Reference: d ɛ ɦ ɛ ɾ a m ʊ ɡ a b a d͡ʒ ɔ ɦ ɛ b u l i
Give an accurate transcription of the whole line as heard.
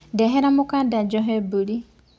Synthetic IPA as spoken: d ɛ ɦ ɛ ɾ a m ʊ k a d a d͡ʒ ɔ ɦ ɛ b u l i